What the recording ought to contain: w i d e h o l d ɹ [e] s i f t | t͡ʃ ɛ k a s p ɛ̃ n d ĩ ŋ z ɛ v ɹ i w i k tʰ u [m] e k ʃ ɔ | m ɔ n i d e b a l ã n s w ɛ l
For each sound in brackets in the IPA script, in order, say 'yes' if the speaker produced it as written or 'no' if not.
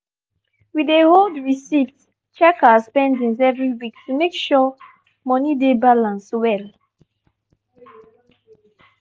no, yes

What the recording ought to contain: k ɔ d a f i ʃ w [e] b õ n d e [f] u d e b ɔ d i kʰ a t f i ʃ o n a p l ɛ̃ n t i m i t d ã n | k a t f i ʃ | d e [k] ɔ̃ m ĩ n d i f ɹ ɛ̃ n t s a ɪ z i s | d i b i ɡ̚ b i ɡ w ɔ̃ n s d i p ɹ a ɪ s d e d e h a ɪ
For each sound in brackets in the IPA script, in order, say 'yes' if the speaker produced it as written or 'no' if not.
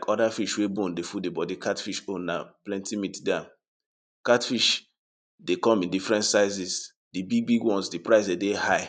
yes, yes, yes

